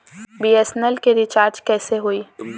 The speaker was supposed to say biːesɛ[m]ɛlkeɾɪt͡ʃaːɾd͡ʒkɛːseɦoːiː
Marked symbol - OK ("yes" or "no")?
no